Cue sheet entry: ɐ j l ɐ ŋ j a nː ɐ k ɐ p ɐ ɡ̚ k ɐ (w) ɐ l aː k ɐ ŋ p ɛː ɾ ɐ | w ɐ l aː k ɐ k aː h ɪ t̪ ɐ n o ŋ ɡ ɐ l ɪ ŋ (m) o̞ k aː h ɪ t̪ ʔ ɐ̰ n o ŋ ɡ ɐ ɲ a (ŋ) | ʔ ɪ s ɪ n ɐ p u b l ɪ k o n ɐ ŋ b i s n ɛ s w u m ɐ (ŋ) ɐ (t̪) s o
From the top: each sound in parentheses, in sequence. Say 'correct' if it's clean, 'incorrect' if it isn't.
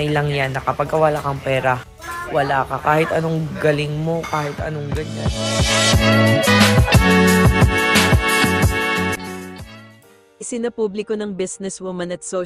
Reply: correct, correct, incorrect: n, incorrect: n, correct

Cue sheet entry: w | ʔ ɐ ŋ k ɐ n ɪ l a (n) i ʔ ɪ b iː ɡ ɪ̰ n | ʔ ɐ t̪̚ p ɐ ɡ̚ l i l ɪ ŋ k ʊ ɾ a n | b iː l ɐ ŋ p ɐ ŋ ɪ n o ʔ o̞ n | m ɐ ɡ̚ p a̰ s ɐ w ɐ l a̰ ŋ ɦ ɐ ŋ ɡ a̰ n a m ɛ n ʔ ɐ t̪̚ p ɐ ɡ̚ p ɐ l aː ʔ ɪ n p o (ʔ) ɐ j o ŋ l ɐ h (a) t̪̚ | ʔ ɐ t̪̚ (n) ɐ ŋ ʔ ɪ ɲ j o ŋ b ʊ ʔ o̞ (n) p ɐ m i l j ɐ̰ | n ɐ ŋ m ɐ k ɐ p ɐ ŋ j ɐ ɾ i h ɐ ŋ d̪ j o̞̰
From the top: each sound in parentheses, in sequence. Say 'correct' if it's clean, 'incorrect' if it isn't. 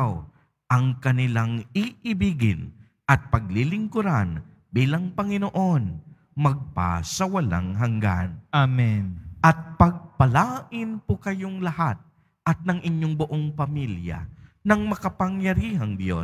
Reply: incorrect: ŋ, incorrect: k, correct, correct, incorrect: ŋ

